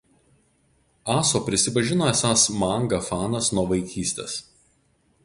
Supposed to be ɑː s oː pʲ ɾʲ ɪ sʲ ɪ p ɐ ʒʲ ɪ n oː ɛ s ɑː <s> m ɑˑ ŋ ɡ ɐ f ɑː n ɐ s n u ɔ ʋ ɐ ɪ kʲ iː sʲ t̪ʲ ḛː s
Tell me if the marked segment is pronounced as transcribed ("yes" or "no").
yes